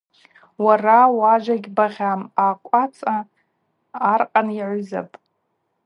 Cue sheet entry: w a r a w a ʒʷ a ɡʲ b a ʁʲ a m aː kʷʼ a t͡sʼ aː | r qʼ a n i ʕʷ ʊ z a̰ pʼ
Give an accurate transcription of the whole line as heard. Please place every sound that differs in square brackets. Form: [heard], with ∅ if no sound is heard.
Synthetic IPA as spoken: w a r a w a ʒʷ a ɡʲ b a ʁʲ a m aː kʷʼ a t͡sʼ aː | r qʼ a n i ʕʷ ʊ z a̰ pʼ